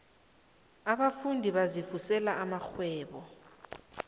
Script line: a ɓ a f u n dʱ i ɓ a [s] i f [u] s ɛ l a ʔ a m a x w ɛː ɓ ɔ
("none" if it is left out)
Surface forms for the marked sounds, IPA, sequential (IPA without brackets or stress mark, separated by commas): z, u